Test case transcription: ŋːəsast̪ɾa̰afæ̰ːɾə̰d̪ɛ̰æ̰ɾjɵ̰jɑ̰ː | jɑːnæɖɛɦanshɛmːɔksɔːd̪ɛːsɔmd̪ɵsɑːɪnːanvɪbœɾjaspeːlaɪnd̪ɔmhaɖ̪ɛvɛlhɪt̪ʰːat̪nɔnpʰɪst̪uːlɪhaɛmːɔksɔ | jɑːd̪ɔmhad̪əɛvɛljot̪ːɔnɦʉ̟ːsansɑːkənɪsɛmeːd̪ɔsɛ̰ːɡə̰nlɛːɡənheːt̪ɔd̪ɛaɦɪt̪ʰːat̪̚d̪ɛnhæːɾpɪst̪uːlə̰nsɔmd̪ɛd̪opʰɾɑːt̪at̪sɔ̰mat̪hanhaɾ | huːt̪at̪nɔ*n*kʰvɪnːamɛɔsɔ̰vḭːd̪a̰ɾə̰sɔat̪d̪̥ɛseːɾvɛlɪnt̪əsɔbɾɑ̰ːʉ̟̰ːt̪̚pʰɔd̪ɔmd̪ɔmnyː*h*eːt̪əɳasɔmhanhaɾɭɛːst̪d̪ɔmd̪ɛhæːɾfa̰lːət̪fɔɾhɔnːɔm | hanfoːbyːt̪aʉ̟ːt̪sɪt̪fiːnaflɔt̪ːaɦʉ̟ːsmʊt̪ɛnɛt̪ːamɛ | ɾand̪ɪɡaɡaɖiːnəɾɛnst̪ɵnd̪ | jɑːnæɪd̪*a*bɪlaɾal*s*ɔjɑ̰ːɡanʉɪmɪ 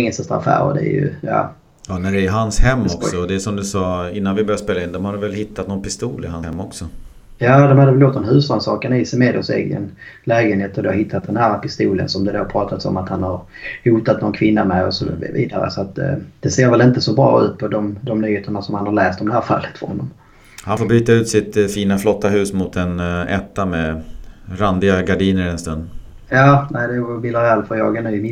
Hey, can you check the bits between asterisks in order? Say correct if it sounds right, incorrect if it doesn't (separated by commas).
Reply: correct, correct, incorrect, incorrect